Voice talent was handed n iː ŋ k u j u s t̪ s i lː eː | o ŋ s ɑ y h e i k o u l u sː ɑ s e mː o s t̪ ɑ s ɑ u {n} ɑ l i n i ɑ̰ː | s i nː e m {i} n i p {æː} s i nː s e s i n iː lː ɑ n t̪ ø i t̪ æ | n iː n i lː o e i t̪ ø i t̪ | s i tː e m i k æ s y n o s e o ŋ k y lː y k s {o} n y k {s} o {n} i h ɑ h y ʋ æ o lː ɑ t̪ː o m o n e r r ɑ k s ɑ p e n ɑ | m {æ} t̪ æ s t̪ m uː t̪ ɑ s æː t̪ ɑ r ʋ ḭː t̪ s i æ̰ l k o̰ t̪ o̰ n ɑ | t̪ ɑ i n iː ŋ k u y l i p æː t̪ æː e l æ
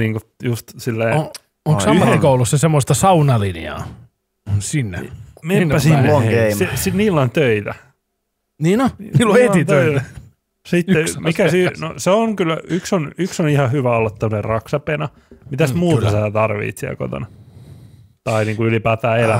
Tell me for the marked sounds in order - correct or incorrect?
correct, incorrect: e, incorrect: æ, correct, correct, correct, incorrect: i

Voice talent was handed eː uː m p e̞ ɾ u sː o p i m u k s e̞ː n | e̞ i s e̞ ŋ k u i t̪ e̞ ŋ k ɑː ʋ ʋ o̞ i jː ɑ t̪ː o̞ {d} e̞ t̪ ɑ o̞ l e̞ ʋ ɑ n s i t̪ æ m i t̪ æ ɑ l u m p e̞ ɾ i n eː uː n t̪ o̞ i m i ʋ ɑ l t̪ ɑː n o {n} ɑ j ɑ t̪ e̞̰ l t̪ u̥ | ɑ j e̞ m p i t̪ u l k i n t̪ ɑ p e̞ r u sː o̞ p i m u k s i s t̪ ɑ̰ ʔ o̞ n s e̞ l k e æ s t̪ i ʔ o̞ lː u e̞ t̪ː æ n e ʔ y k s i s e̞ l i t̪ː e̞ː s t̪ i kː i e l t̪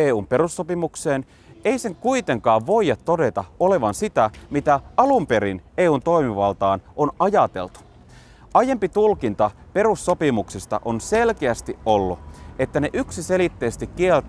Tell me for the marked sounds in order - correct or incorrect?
correct, correct

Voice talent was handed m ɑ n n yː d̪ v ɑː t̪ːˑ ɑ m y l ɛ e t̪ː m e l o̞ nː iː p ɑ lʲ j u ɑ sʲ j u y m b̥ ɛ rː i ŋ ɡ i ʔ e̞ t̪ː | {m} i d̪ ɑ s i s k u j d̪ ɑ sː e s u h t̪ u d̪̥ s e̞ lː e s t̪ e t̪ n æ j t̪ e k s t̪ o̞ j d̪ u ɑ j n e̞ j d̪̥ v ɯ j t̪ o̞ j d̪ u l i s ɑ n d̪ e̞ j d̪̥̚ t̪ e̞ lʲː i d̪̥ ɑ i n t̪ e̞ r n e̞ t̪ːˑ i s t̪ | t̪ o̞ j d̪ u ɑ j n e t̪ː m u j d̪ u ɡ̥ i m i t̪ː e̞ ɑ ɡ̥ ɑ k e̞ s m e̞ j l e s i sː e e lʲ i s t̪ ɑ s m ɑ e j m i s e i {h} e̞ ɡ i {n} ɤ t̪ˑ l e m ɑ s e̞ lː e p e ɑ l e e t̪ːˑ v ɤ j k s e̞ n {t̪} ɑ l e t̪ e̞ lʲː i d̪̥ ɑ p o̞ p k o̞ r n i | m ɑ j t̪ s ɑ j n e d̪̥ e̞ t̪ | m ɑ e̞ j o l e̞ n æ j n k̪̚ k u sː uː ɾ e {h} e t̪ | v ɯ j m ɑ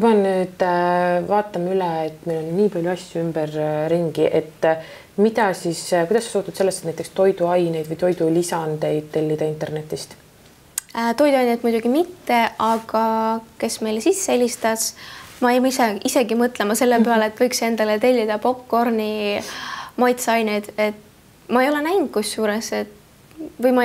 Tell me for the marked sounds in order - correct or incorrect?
correct, incorrect: s, incorrect: m, incorrect: d̪, incorrect: s

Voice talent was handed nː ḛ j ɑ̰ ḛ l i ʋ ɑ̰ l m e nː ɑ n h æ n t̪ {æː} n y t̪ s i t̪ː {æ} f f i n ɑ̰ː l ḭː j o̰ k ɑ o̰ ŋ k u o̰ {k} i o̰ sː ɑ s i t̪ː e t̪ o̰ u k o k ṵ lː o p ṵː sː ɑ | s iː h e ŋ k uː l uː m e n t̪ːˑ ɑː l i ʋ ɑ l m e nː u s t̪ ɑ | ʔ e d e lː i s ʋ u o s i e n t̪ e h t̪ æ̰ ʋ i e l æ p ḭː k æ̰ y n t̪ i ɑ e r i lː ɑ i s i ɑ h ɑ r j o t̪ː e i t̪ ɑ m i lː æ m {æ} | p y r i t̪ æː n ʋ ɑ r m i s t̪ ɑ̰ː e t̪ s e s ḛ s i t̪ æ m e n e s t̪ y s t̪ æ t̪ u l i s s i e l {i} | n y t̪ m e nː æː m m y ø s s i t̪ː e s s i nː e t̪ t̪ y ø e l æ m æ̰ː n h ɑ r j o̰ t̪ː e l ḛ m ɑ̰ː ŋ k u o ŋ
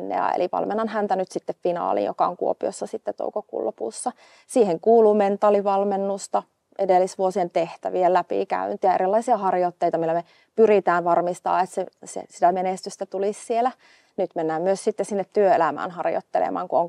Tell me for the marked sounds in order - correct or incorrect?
incorrect: æ, incorrect: e, incorrect: p, incorrect: e, incorrect: æ

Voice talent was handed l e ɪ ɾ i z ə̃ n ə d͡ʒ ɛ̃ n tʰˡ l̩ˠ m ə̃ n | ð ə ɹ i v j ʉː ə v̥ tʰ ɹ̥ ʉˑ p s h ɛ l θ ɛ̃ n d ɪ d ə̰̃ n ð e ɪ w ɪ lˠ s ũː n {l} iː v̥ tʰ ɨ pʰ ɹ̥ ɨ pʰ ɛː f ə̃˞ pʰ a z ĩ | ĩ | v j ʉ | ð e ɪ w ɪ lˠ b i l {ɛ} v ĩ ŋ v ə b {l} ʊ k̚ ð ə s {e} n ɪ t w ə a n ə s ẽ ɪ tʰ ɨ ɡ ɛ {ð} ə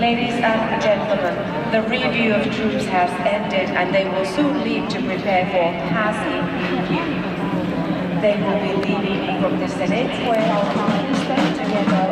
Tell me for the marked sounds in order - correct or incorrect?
correct, incorrect: i, incorrect: ɹ, incorrect: ɛ, correct

